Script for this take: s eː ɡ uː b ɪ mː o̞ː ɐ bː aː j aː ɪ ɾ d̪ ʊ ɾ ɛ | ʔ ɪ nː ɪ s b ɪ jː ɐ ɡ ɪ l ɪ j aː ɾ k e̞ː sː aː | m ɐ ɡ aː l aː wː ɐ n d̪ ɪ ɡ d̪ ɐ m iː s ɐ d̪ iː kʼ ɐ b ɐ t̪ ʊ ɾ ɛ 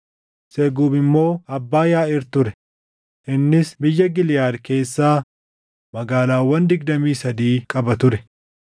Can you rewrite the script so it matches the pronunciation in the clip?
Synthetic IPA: s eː ɡ uː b ɪ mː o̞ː ɐ bː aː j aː ɪ ɾ t̪ ʊ ɾ ɛ | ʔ ɪ nː ɪ s b ɪ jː ɐ ɡ ɪ l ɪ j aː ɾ k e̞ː sː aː | m ɐ ɡ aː l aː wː ɐ n d̪ ɪ ɡ d̪ ɐ m iː s ɐ d̪ iː kʼ ɐ b ɐ t̪ ʊ ɾ ɛ